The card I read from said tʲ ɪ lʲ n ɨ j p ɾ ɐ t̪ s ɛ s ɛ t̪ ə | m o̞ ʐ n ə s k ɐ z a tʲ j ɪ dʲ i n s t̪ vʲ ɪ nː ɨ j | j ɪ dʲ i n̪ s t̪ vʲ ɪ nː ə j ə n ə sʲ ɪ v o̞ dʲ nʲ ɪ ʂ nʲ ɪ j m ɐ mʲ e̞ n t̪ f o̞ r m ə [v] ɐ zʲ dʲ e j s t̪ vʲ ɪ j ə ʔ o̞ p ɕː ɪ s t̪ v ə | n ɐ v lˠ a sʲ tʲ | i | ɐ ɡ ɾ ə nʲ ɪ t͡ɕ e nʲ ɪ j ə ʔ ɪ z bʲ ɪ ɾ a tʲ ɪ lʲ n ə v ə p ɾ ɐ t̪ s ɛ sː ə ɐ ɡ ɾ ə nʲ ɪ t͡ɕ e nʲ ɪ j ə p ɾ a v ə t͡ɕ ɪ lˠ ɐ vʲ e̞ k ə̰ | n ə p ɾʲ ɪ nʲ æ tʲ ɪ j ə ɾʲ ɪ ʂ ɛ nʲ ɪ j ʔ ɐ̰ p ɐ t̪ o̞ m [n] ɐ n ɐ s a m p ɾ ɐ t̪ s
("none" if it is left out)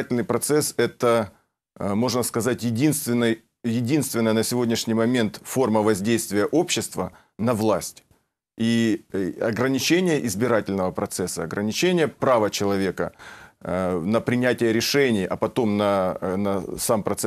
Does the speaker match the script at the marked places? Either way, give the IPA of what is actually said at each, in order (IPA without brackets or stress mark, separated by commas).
v, n